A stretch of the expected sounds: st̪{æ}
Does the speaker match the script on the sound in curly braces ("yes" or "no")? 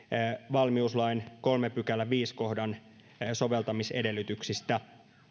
yes